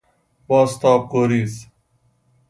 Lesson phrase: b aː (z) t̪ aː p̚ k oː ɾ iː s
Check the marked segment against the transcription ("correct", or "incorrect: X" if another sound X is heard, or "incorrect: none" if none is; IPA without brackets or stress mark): incorrect: s